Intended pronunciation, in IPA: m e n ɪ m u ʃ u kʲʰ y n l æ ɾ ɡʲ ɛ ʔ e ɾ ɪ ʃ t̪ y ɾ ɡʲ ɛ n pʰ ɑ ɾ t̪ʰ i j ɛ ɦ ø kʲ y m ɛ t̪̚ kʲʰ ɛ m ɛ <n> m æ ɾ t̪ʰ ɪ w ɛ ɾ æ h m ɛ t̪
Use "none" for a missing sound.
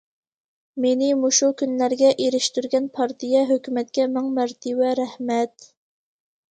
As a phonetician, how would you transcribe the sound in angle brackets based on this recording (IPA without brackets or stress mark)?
ŋ